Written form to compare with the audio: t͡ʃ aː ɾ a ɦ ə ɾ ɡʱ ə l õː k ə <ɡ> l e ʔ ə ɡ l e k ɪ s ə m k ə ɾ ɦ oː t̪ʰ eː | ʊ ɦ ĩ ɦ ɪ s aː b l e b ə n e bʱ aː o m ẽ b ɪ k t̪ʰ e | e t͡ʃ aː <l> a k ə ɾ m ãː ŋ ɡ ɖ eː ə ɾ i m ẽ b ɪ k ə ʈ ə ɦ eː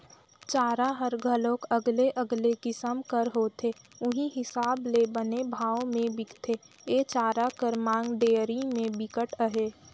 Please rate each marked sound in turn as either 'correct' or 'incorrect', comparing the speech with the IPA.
correct, incorrect: ɾ

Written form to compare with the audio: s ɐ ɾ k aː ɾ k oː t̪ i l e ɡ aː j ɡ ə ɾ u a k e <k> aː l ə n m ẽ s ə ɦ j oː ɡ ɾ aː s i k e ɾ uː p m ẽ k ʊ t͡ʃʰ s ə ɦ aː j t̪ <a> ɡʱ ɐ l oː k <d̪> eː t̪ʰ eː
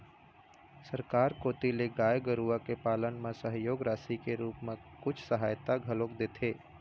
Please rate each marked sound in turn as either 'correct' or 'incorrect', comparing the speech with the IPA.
incorrect: p, correct, correct

